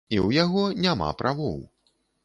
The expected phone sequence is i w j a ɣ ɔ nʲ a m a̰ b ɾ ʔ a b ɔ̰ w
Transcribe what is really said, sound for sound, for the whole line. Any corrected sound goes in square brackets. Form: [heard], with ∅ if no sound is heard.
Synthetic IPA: i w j a ɣ ɔ nʲ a m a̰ [p] ɾ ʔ a [v] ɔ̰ w